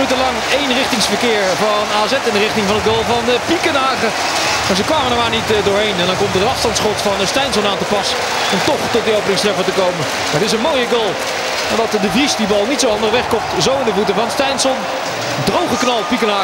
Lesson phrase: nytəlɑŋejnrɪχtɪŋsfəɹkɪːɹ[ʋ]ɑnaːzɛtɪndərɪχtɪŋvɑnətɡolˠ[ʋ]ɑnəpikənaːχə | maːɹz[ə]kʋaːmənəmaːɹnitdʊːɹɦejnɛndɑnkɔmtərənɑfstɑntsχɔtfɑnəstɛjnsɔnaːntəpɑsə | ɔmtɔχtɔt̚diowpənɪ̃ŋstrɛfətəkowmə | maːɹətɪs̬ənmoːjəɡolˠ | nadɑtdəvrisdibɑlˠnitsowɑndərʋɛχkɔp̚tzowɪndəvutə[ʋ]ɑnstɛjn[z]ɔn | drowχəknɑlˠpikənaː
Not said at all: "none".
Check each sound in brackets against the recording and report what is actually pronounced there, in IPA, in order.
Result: v, v, ə, v, s

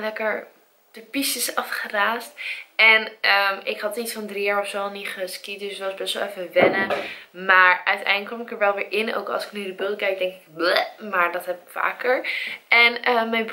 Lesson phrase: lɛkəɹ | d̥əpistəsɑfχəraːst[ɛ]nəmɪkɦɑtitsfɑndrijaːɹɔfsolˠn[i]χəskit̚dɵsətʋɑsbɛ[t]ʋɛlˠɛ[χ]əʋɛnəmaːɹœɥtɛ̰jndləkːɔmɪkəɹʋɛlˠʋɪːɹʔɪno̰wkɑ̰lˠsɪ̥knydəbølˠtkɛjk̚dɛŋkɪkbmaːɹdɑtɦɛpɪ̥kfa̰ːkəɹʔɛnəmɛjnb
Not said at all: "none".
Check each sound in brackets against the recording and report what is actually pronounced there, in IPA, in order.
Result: ɛ, i, s, f

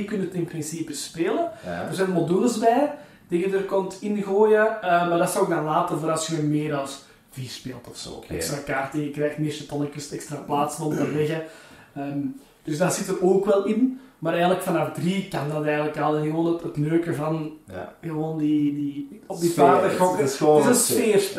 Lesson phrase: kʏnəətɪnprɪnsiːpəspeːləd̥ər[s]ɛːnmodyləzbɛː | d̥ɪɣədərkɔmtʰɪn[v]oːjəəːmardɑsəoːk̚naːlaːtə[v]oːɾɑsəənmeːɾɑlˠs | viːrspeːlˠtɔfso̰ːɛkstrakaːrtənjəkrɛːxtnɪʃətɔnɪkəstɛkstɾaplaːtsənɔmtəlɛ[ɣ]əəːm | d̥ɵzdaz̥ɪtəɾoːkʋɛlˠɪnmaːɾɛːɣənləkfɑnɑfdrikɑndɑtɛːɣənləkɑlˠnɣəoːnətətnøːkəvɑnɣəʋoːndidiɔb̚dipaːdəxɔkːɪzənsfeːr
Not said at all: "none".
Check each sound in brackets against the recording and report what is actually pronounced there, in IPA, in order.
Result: z, ɣ, v, ɣ

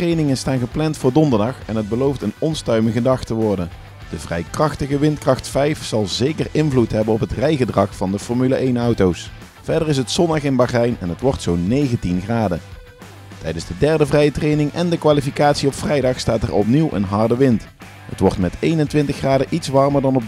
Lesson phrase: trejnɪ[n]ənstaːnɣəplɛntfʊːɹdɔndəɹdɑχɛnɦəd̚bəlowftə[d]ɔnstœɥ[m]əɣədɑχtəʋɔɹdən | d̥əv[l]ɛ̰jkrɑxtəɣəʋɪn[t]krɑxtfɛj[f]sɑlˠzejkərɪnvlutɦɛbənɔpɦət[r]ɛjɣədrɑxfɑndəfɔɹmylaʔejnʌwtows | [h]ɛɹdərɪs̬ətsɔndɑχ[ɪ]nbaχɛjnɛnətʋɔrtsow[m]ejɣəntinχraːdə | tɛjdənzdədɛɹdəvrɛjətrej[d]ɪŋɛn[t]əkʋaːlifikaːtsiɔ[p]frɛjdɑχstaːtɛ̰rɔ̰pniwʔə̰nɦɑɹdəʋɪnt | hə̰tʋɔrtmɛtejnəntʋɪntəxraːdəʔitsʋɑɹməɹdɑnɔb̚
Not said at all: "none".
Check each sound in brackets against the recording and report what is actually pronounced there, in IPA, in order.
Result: ŋ, n, m, r, t, f, r, f, ɪ, n, n, d, p

